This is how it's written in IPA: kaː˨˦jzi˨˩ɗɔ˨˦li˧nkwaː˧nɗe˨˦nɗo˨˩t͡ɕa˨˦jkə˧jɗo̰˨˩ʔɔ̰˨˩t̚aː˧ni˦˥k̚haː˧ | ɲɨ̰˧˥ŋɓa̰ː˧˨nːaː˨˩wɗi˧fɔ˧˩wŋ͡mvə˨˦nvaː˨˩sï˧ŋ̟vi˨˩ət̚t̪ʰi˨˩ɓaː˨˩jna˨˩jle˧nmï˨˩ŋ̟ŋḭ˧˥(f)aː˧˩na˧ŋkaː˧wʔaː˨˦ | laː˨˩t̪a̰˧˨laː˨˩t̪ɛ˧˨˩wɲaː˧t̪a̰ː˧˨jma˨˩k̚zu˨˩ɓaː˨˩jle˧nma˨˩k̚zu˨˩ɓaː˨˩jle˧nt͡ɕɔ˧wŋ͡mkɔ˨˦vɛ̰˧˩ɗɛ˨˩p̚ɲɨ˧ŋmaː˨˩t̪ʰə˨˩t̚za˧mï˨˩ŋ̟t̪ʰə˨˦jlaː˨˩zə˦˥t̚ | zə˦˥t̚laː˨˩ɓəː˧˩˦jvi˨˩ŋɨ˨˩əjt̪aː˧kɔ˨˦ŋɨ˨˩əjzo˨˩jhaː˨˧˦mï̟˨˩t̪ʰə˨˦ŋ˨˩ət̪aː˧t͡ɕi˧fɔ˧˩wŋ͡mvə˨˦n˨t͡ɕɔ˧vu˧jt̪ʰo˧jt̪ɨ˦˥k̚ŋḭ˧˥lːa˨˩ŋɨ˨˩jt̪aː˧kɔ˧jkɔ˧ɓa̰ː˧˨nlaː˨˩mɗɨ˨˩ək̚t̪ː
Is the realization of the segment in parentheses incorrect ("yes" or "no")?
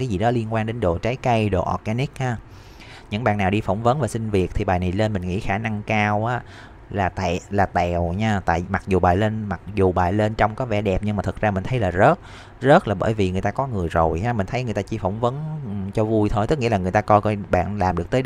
yes